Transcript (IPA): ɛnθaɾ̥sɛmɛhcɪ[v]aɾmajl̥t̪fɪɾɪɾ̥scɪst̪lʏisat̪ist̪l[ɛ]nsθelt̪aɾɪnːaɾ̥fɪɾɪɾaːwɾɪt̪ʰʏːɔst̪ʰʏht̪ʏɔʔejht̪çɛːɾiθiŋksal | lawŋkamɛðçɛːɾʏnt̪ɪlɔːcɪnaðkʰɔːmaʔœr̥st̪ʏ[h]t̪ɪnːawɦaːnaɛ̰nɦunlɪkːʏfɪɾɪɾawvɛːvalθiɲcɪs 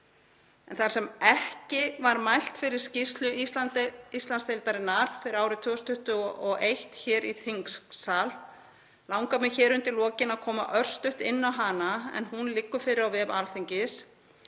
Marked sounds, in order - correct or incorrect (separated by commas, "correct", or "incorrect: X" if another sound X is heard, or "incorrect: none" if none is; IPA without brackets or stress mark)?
correct, incorrect: a, correct